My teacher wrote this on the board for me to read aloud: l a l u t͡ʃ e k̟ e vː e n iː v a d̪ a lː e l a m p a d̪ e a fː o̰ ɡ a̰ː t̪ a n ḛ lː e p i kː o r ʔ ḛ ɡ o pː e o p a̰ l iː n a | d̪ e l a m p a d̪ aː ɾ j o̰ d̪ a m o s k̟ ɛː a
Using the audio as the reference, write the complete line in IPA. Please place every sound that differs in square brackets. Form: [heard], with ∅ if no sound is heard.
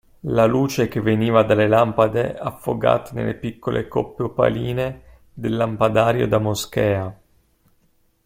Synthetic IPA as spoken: l a l [uː] t͡ʃ e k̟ e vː e n iː v a d̪ a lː e l a m p a d̪ e a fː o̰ ɡ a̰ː t̪ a n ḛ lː e p i kː o [l] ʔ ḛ [k] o pː e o p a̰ l iː n [e] | d̪ e [lː] a m p a d̪ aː ɾ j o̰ d̪ a m o s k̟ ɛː a